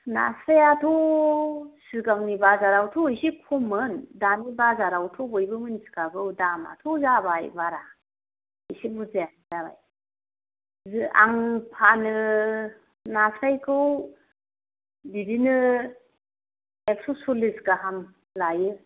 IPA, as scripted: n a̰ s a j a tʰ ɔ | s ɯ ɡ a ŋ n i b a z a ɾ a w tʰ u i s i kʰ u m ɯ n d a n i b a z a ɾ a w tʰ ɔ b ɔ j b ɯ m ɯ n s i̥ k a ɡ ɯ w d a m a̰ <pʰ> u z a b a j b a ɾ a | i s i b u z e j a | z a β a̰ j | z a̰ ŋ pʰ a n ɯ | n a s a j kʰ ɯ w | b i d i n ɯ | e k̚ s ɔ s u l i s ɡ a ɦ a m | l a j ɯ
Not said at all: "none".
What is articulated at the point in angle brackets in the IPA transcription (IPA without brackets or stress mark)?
tʰ